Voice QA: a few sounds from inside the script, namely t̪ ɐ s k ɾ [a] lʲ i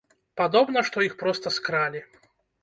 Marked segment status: correct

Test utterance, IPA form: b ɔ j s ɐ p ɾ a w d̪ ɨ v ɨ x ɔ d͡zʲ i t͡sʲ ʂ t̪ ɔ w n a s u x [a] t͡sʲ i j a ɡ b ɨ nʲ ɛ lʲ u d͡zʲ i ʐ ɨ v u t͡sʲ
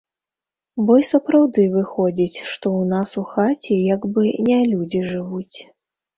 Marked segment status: correct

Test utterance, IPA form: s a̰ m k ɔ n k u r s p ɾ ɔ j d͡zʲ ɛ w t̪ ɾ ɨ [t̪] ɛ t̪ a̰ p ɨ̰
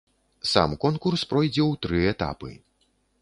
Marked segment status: incorrect: none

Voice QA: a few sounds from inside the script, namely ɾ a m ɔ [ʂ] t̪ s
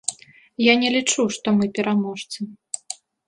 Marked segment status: correct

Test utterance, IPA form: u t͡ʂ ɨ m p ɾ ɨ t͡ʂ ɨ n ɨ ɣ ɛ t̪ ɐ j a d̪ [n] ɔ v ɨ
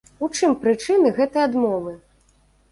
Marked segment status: incorrect: m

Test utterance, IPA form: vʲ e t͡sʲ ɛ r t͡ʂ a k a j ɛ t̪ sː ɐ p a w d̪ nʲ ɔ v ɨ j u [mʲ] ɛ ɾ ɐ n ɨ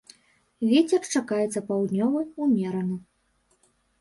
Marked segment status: correct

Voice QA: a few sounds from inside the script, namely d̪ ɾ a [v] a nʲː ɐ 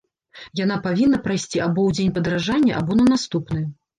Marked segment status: incorrect: ʐ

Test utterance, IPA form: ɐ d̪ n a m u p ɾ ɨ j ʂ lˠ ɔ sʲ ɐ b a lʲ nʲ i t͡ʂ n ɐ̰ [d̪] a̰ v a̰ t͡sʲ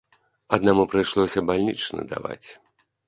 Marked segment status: correct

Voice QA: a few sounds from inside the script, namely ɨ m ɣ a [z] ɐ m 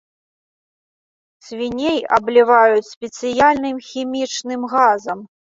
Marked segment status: correct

